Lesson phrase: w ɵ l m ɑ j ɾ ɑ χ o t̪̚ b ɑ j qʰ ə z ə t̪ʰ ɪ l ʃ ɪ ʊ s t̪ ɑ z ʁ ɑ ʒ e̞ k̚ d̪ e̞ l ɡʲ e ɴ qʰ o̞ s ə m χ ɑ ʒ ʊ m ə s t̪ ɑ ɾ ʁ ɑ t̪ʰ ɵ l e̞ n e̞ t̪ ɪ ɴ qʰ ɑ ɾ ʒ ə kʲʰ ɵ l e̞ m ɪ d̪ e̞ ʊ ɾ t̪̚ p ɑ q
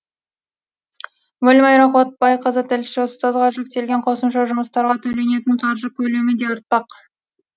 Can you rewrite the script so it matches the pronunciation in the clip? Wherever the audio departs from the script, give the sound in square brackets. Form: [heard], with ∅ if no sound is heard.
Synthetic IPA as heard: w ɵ l m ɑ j ɾ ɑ χ o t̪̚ b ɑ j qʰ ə z ə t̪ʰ ɪ l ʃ ɪ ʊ s t̪ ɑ z ʁ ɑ ʒ e̞ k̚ [t̪] e̞ l ɡʲ e ɴ qʰ o̞ s ə m [ʃ] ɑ ʒ ʊ m ə s t̪ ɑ ɾ ʁ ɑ t̪ʰ ɵ l e̞ n e̞ t̪ ɪ ɴ qʰ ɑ ɾ ʒ ə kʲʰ ɵ l e̞ m ɪ d̪ e̞ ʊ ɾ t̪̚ p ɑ q

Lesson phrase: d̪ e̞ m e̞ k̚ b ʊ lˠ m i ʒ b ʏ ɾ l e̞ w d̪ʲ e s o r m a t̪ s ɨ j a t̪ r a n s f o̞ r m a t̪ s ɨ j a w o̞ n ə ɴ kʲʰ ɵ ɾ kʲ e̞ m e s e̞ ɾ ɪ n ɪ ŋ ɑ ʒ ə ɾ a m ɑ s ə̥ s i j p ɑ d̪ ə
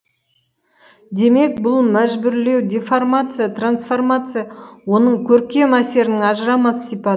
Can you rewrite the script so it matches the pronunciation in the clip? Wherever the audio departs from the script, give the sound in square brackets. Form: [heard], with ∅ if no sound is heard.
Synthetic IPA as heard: d̪ e̞ m e̞ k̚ b ʊ lˠ m [æ] ʒ b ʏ ɾ l e̞ w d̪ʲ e [f] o r m a t̪ s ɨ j a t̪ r a n s f o̞ r m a t̪ s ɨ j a w o̞ n ə ɴ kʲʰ ɵ ɾ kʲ e̞ m [æ] s e̞ ɾ ɪ n ɪ ŋ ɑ ʒ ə ɾ [ɑ] m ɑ s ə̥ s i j p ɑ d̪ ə

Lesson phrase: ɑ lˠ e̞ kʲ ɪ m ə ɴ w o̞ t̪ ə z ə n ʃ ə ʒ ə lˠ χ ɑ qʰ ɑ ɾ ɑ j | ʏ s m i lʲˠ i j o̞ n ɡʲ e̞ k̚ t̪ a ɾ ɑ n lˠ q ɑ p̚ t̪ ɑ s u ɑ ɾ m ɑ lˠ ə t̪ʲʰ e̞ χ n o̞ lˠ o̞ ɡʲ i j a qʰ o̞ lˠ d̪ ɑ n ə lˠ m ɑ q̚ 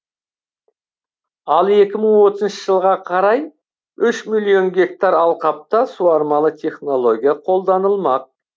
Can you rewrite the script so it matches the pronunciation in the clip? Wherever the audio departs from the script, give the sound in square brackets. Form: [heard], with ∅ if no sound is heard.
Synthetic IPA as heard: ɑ lˠ e̞ kʲ ɪ m ə ɴ w o̞ t̪ ə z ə n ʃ ə ʒ ə lˠ [ʁ] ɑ qʰ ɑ ɾ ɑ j | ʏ [ʃ] m i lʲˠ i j o̞ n ɡʲ e̞ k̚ t̪ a ɾ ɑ [∅] lˠ q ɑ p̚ t̪ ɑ s u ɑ ɾ m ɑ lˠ ə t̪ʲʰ e̞ χ n o̞ lˠ o̞ ɡʲ i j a qʰ o̞ lˠ d̪ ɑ n ə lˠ m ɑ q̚

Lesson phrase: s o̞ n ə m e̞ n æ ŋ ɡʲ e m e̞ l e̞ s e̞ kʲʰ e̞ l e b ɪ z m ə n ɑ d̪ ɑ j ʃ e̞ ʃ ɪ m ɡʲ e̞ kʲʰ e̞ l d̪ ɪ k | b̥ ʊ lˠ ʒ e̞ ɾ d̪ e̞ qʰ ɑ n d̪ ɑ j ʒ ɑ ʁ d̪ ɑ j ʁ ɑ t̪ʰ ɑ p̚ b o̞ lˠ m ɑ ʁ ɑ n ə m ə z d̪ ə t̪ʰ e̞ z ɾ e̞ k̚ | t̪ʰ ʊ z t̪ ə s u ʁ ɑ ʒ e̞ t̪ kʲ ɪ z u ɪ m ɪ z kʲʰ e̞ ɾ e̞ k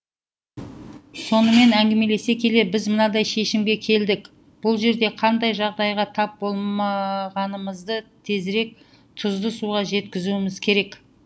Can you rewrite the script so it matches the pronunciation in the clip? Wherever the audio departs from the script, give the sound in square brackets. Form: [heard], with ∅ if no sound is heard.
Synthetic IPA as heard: s o̞ n ə m e̞ n æ ŋ ɡʲ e m e̞ l e̞ s e̞ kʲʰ e̞ l e b ɪ z m ə n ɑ d̪ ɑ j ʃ e̞ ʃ ɪ m ɡʲ e̞ kʲʰ e̞ l d̪ ɪ k | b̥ ʊ lˠ ʒ e̞ ɾ d̪ e̞ qʰ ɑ n d̪ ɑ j ʒ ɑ ʁ d̪ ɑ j ʁ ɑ t̪ʰ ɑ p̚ b o̞ lˠ m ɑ ʁ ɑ n ə m ə z d̪ ə t̪ʰ e̞ z ɾ e̞ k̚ | t̪ʰ ʊ z [d̪] ə s u ʁ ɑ ʒ e̞ t̪ kʲ ɪ z u ɪ m ɪ z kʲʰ e̞ ɾ e̞ k

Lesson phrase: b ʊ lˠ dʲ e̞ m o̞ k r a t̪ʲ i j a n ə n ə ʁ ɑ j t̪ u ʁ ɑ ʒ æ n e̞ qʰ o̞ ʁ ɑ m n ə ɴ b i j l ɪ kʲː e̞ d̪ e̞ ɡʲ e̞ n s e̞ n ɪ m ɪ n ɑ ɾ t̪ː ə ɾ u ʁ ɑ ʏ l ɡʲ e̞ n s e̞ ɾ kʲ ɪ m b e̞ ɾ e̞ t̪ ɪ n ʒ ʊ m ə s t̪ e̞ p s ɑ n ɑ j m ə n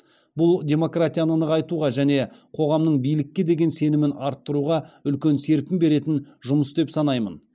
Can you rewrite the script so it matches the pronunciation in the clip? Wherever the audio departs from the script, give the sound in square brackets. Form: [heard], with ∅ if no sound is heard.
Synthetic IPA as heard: b ʊ lˠ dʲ e̞ m o̞ k r a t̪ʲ i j a n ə n ə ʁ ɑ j t̪ u ʁ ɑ ʒ æ n e̞ qʰ o̞ ʁ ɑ m n ə ɴ b i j l ɪ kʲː e̞ d̪ e̞ ɡʲ e̞ n s e̞ n ɪ m ɪ n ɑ ɾ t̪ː ə ɾ u ʁ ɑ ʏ l [kʲ] e̞ n s e̞ ɾ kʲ ɪ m b e̞ ɾ e̞ t̪ ɪ n ʒ ʊ m ə s [d̪] e̞ p s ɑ n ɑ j m ə n

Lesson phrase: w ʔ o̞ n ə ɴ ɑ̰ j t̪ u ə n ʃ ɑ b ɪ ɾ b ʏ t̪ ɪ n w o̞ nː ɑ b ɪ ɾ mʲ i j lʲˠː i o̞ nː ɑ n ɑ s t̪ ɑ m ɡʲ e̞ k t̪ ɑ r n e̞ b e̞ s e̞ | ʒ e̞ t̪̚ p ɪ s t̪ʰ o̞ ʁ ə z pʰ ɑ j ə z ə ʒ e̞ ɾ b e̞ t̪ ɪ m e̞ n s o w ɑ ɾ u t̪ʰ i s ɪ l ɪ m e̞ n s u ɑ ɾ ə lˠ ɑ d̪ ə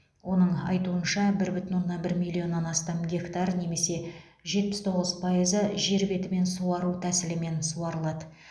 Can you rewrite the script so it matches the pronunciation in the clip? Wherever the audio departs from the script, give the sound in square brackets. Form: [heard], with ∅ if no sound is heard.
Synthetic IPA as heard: w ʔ o̞ n ə ɴ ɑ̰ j t̪ u ə n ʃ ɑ b ɪ ɾ b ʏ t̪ ɪ n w o̞ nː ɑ b ɪ ɾ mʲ i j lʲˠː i o̞ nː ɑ n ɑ s t̪ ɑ m ɡʲ e̞ k t̪ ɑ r n e̞ [m] e̞ s e̞ | ʒ e̞ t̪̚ p ɪ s t̪ʰ o̞ ʁ ə z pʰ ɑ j ə z ə ʒ e̞ ɾ b e̞ t̪ ɪ m e̞ n s [u] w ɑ ɾ u t̪ʰ [æ] s ɪ l ɪ m e̞ n s u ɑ ɾ ə lˠ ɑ d̪ ə

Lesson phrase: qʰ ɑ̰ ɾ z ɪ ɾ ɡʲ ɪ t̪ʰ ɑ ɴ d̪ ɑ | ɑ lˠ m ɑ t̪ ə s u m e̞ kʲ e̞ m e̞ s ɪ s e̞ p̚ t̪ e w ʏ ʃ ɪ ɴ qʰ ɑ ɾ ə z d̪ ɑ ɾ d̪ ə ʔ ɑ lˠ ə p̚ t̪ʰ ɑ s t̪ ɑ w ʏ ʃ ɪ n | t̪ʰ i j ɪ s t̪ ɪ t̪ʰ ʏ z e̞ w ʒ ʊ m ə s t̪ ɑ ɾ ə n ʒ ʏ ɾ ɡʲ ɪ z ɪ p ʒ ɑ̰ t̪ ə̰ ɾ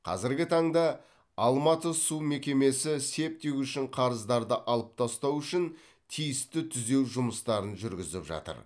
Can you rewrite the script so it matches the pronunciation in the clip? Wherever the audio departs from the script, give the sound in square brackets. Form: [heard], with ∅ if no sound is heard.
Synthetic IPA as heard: qʰ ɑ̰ [∅] z ɪ ɾ ɡʲ ɪ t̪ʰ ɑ ɴ d̪ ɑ | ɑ lˠ m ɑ t̪ ə s u m e̞ kʲ e̞ m e̞ s ɪ s e̞ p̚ t̪ e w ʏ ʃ ɪ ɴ qʰ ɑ ɾ ə z d̪ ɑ ɾ d̪ ə ʔ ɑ lˠ ə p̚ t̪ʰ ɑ s t̪ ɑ w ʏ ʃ ɪ n | t̪ʰ i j ɪ s t̪ ɪ t̪ʰ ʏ z e̞ w ʒ ʊ m ə s t̪ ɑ ɾ ə n ʒ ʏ ɾ ɡʲ ɪ z ɪ p ʒ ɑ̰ t̪ ə̰ ɾ

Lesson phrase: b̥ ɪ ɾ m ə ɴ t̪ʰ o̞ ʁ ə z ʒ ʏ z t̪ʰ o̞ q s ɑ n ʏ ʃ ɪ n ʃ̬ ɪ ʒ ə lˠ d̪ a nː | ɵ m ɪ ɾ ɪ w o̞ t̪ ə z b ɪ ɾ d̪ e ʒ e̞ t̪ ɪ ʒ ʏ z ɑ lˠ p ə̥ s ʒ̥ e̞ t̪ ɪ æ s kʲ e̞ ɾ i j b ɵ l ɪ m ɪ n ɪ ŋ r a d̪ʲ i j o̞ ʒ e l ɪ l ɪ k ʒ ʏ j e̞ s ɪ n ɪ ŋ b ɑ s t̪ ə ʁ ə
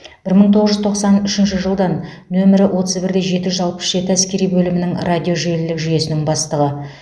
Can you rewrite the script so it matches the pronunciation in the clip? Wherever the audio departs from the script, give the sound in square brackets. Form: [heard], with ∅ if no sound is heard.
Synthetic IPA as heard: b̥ ɪ ɾ m ə ɴ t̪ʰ o̞ ʁ ə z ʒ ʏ z t̪ʰ o̞ q s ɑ n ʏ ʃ ɪ n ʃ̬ ɪ ʒ ə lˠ d̪ [ɑ] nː | ɵ m ɪ ɾ ɪ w o̞ t̪ ə z b ɪ ɾ d̪ e ʒ e̞ t̪ ɪ ʒ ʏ z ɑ lˠ p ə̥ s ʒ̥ e̞ t̪ ɪ æ s kʲ e̞ ɾ i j b ɵ l ɪ m ɪ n ɪ ŋ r a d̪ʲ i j o̞ ʒ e l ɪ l ɪ k ʒ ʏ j e̞ s ɪ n ɪ ŋ b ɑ s t̪ ə ʁ ə

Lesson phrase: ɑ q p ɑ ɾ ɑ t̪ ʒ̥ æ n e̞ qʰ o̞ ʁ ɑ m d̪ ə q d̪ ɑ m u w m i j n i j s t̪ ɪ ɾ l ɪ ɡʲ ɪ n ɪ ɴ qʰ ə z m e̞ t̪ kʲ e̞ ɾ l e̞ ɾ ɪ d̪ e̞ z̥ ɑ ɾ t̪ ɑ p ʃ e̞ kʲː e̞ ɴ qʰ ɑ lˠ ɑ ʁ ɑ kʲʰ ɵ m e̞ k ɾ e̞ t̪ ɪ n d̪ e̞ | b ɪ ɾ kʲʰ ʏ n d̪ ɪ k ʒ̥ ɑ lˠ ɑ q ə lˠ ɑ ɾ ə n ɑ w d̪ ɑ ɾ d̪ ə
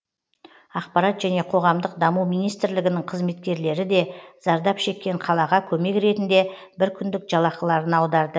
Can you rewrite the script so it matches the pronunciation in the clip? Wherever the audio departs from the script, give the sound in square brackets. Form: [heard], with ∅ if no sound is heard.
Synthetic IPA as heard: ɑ q p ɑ ɾ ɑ t̪ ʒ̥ æ n e̞ qʰ o̞ ʁ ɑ m d̪ ə q d̪ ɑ m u w m i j n i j s t̪ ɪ ɾ l ɪ ɡʲ ɪ n ɪ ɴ qʰ ə z m e̞ t̪ kʲ e̞ ɾ l e̞ ɾ ɪ d̪ e̞ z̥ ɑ ɾ [d̪] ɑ p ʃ e̞ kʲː e̞ ɴ qʰ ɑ lˠ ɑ ʁ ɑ kʲʰ ɵ m e̞ k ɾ e̞ t̪ ɪ n d̪ e̞ | b ɪ ɾ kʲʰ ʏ n d̪ ɪ k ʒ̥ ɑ lˠ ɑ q ə lˠ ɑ ɾ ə n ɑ w d̪ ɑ ɾ d̪ ə

